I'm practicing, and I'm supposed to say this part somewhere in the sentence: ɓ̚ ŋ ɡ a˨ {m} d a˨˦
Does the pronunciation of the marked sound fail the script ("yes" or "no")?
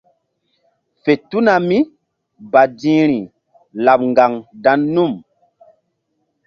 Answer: yes